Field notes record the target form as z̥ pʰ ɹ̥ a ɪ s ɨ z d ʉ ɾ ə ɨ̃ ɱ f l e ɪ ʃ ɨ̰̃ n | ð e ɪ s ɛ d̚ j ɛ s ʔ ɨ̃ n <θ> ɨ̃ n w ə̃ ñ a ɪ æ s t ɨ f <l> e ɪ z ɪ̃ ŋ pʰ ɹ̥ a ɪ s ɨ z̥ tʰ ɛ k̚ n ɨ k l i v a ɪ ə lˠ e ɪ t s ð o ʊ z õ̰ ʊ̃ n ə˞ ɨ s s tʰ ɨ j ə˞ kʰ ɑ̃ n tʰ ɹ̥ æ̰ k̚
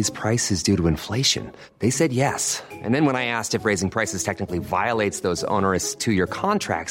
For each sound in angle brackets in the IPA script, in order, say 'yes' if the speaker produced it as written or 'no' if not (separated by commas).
no, no